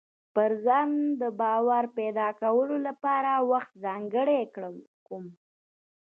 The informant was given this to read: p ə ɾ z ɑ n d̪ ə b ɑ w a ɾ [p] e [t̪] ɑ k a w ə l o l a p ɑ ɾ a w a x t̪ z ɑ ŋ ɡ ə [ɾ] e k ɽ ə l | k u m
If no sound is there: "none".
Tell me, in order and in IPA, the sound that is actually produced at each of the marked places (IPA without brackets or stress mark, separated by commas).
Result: p, d̪, ɽ